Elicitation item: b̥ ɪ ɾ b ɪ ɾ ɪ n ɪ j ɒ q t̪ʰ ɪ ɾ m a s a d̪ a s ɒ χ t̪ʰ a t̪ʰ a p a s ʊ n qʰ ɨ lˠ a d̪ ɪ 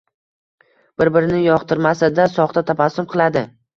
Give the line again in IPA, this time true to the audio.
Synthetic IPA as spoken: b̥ ɪ ɾ b ɪ ɾ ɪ n ɪ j ɒ q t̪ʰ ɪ ɾ m a s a d̪ a s ɒ χ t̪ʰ a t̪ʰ a p a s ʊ m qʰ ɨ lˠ a d̪ ɪ